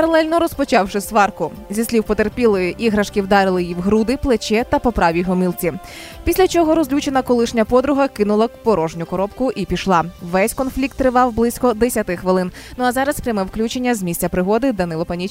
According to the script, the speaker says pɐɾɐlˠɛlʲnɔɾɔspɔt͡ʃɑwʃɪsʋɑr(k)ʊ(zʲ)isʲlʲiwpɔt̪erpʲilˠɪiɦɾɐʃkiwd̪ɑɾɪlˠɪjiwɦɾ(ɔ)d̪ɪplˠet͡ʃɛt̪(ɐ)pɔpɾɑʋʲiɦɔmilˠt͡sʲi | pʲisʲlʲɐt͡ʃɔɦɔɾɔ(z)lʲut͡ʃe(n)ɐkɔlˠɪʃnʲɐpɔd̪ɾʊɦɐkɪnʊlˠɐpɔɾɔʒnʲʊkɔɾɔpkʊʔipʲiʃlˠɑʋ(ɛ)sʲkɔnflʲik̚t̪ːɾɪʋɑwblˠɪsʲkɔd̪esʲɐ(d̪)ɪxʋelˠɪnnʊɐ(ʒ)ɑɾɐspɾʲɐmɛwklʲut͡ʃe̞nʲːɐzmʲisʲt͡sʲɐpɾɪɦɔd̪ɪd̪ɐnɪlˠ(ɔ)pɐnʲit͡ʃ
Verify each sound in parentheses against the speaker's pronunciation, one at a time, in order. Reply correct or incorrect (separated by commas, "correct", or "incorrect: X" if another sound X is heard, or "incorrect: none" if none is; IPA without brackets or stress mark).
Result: correct, correct, incorrect: u, correct, correct, correct, correct, incorrect: t̪, incorrect: z, correct